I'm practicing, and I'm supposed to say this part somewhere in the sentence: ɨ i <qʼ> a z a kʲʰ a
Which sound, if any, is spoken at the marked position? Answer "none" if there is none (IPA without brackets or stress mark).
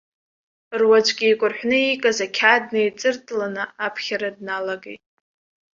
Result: kʼ